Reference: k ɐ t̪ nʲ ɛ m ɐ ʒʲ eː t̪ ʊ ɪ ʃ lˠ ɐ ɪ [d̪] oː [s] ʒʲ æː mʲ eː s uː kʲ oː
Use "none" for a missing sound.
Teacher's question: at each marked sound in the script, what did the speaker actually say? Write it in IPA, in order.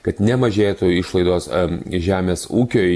d̪, s

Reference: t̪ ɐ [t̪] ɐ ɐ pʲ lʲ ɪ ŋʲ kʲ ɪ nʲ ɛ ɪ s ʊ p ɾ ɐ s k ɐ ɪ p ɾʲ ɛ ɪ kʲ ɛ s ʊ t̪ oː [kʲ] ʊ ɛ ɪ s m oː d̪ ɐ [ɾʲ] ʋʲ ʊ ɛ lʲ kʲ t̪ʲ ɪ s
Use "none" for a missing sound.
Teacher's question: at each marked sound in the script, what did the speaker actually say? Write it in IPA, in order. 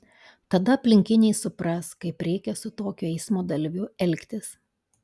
d̪, kʲ, lʲ

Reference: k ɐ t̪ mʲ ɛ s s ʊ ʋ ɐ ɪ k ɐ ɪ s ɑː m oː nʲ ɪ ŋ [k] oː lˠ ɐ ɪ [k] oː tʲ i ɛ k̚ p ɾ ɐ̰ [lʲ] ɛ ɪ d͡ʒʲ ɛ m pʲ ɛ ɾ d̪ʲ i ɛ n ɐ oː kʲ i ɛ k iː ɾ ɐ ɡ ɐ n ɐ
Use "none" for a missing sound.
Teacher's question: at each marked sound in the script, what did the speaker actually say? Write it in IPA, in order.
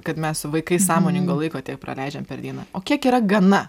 ɡ, k, lʲ

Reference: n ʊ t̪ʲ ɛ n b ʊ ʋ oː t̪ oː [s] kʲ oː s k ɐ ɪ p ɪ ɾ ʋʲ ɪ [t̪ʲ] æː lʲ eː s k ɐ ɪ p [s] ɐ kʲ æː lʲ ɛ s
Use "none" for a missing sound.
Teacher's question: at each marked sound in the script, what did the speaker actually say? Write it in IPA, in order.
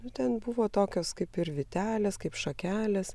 none, t̪ʲ, ʃ

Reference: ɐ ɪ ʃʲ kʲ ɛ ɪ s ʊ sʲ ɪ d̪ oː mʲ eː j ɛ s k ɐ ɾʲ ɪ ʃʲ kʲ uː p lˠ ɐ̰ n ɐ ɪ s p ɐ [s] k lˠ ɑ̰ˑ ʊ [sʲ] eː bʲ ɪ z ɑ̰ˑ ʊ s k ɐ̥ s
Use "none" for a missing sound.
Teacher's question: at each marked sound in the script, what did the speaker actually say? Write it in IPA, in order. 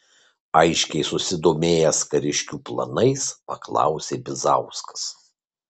none, sʲ

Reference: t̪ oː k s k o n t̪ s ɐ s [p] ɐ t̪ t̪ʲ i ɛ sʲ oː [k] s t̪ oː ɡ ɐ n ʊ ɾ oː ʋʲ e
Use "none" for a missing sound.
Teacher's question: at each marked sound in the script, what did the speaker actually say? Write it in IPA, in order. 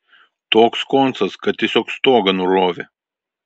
k, k

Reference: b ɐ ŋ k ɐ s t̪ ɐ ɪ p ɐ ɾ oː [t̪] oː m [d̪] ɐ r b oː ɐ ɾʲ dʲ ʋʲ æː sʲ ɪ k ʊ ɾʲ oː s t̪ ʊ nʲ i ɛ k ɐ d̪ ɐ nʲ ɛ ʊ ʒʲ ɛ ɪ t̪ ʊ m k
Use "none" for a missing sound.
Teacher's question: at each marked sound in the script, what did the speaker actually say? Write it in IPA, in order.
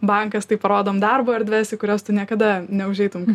d̪, d̪

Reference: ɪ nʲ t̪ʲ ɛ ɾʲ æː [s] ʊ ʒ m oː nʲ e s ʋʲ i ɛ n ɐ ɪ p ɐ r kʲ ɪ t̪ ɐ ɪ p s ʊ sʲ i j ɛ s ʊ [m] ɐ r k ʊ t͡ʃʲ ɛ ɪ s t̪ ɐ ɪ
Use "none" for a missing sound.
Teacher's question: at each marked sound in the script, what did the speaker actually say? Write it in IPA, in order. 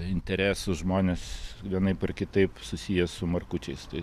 s, m

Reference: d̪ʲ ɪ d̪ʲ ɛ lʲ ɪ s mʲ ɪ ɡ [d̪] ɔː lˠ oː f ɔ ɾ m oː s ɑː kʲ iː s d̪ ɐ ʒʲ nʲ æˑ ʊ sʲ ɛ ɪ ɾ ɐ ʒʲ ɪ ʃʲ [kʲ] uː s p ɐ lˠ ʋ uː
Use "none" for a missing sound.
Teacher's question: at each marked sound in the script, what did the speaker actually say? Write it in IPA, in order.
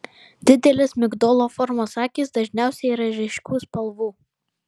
d̪, kʲ

